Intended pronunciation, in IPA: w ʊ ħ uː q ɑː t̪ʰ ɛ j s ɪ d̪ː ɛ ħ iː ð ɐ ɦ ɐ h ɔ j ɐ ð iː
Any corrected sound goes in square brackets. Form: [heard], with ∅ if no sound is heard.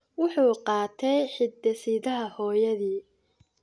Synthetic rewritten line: w ʊ ħ uː q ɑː t̪ʰ ɛ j [ħ] ɪ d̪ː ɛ [s] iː ð ɐ ɦ ɐ h [ɔː] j ɐ ð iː